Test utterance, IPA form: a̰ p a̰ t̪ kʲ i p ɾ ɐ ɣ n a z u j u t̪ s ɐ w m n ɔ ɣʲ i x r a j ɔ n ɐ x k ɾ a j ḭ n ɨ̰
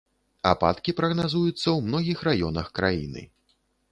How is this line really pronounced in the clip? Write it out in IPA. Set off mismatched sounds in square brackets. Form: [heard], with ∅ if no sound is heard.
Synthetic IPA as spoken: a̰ p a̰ t̪ kʲ i p ɾ ɐ ɣ n a z u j u t̪ [sː] ɐ w m n ɔ ɣʲ i x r a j ɔ n ɐ x k ɾ a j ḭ n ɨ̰